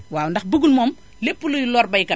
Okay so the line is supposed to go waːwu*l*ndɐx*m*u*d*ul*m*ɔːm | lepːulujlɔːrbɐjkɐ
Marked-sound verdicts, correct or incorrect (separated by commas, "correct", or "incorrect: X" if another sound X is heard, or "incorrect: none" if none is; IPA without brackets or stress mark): incorrect: none, incorrect: b, incorrect: ɡ, correct